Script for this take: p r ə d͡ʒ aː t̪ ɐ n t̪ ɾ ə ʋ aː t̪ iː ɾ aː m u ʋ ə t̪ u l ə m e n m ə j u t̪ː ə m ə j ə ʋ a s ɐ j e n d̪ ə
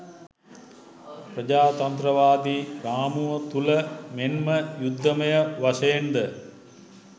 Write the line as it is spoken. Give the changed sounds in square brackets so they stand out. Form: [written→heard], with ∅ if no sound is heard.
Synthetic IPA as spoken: p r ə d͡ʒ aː t̪ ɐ n t̪ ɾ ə ʋ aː [t̪→d̪] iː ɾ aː m u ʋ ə t̪ u l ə m e n m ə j u [t̪ː→d̪ː] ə m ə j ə ʋ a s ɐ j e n d̪ ə